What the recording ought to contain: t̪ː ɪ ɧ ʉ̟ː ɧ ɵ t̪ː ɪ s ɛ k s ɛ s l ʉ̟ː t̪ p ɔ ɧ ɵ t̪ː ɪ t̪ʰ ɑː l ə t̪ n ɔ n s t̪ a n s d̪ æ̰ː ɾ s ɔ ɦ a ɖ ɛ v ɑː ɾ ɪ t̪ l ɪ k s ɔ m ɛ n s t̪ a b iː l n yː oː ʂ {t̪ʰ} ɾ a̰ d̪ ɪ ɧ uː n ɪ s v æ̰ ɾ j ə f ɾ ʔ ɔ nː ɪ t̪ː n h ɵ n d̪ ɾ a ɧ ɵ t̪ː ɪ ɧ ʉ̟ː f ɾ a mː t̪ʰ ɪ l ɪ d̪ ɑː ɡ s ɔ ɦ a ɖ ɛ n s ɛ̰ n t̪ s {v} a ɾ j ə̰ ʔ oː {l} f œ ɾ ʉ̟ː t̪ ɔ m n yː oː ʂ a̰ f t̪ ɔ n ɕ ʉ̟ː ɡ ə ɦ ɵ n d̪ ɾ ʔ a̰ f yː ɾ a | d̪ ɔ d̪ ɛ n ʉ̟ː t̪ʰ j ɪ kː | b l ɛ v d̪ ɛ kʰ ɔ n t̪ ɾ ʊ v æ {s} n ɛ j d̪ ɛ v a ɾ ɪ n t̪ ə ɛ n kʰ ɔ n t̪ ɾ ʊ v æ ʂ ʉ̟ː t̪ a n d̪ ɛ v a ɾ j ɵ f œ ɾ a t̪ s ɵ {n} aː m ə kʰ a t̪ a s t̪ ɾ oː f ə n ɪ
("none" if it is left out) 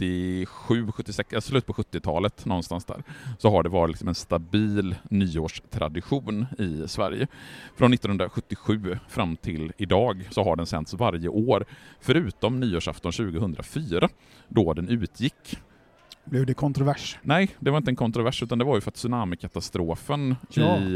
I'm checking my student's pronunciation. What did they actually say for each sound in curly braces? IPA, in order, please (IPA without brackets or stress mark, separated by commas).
t̪ʰ, v, ɾ, ʂ, n